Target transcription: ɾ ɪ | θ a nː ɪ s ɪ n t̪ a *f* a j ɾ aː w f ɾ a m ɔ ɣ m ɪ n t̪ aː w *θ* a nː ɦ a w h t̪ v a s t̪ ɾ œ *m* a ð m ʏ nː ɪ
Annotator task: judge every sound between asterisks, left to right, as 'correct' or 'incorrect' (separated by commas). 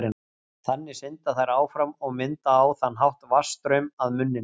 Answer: incorrect, correct, correct